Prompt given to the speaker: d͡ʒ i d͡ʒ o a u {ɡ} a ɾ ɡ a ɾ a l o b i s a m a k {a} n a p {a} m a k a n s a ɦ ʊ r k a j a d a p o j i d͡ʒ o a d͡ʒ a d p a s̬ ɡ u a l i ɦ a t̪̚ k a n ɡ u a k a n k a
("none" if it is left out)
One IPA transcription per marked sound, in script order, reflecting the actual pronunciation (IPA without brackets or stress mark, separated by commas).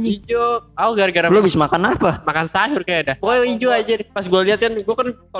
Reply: ɡ, a, a